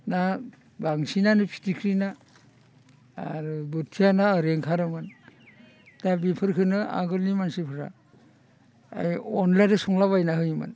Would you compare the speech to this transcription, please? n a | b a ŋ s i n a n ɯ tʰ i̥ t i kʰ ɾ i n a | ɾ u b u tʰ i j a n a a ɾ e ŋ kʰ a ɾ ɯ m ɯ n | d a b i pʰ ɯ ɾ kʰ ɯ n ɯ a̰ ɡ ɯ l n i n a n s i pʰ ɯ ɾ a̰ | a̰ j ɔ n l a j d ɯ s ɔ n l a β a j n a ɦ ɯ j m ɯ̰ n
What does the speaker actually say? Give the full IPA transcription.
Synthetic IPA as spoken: n a | b a ŋ s i n a n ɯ pʰ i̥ t i kʰ ɾ i n a | ɾ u b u tʰ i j a n a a ɾ e ŋ kʰ a ɾ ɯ m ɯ n | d a b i pʰ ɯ ɾ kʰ ɯ n ɯ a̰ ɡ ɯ l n i m a n s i pʰ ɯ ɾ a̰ | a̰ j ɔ n l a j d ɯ s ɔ ŋ l a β a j n a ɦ ɯ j m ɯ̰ n